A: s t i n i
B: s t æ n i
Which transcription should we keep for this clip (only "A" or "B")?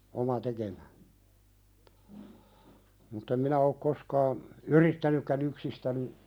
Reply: B